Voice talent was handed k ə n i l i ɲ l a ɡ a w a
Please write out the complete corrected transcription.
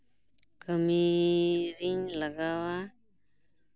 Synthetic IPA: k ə m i ɾ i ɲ l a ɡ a w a